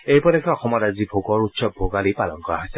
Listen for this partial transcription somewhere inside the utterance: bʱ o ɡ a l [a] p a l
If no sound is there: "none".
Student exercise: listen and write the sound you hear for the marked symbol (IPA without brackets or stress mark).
i